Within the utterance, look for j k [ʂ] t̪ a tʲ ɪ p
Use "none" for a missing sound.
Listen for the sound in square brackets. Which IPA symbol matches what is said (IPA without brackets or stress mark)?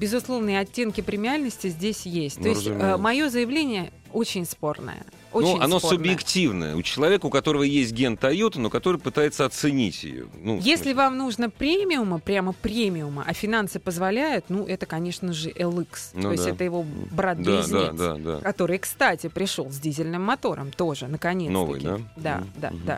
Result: s